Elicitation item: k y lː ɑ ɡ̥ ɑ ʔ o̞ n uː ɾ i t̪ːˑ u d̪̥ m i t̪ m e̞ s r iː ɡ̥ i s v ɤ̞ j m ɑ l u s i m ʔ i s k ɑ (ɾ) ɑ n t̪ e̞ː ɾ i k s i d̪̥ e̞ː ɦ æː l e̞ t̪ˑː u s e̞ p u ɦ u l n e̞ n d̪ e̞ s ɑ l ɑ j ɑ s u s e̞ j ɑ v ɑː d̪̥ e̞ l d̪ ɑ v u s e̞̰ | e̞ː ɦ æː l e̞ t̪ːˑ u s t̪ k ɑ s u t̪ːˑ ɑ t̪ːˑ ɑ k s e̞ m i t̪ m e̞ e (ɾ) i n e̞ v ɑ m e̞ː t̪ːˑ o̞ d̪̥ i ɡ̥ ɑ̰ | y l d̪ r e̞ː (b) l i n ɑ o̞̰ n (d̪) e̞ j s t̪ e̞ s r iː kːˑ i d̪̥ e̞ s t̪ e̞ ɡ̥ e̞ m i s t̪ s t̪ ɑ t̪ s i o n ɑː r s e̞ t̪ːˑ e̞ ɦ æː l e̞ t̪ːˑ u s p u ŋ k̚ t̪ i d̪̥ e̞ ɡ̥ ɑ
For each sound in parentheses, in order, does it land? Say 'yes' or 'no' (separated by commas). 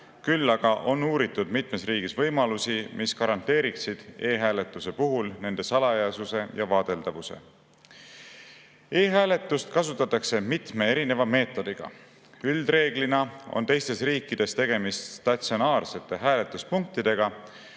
yes, yes, no, no